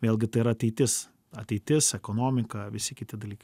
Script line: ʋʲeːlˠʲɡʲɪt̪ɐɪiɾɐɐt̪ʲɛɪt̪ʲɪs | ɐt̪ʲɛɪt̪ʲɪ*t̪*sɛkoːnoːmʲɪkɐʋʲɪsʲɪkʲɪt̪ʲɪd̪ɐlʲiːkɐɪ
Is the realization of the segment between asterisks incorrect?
yes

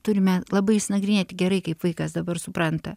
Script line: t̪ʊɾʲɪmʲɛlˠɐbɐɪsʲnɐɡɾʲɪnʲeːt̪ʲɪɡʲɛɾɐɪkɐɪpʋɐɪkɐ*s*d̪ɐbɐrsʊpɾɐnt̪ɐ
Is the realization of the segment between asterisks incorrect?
no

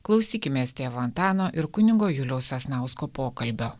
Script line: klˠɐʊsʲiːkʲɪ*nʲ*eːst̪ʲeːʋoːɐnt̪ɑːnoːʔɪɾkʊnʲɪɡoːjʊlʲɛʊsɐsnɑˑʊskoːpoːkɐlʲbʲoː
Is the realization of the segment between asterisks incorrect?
yes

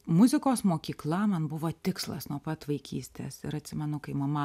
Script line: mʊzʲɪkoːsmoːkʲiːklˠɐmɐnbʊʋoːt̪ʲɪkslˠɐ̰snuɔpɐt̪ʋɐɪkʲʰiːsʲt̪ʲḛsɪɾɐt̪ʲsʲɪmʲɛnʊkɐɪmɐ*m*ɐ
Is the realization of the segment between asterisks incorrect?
no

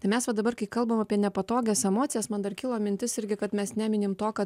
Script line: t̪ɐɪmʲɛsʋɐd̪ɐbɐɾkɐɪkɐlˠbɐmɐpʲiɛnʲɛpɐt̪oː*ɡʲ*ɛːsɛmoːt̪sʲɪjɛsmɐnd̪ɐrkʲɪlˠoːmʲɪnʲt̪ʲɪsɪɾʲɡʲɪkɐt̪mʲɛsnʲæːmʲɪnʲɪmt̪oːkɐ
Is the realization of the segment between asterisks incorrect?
no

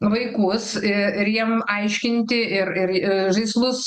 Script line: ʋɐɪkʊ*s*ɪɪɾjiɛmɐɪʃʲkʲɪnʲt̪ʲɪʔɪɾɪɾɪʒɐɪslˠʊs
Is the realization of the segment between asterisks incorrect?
no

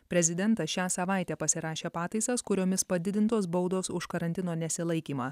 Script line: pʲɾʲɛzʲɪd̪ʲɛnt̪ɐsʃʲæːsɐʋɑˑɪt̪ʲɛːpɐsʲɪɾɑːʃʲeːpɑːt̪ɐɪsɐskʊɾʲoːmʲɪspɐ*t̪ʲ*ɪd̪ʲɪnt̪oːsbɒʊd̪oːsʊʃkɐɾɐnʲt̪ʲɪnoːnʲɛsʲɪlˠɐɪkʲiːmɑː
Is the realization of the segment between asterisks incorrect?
yes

